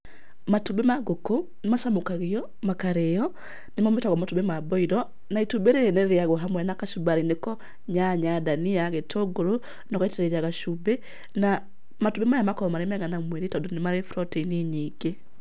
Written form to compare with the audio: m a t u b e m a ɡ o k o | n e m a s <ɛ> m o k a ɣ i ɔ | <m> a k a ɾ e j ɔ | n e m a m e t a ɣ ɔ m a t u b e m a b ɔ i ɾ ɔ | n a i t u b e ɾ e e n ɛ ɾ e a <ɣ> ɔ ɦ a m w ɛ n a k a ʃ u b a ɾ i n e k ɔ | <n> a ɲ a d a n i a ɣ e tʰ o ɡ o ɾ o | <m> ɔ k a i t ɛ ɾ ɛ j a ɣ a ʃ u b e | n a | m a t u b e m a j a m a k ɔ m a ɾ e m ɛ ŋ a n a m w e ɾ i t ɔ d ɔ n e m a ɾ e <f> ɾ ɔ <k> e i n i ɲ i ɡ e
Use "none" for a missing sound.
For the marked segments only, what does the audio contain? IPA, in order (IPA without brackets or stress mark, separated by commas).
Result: a, m, ɣ, ɲ, n, f, t